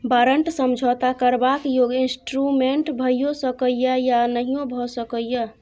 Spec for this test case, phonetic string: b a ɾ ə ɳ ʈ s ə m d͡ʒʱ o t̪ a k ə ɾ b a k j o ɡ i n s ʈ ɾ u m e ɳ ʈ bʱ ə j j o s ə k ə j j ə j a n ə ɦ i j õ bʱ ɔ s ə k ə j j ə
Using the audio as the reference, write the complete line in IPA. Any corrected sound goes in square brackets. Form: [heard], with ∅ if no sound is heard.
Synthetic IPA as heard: b a ɾ ə ɳ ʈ s ə m d͡ʒʱ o t̪ a k ə ɾ b a k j o ɡ i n s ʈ ɾ u m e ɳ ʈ bʱ ə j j o s ə k ə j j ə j a n ə ɦ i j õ bʱ ɔ s ə k ə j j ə